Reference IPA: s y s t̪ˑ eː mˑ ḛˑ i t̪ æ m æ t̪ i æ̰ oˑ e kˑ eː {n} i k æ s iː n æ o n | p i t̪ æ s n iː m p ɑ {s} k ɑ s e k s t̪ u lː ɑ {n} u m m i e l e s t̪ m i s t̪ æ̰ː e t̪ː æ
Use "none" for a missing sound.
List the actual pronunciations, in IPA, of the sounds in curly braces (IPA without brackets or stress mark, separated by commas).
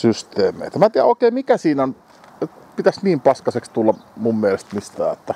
m, s, m